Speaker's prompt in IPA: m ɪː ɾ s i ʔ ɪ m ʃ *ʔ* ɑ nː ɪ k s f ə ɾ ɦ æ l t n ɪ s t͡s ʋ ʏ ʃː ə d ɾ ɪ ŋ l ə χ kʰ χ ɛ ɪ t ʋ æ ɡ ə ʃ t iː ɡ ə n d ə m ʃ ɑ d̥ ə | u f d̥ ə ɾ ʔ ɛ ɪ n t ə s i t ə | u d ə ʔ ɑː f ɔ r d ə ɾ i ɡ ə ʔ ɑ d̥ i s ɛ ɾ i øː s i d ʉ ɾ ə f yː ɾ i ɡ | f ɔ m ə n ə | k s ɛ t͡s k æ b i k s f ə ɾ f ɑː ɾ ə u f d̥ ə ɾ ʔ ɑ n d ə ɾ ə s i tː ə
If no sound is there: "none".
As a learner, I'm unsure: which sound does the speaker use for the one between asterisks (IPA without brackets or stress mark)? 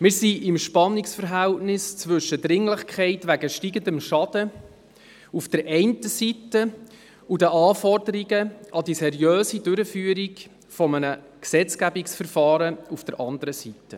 p